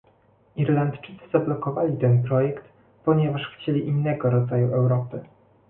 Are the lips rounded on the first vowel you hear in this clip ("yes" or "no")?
no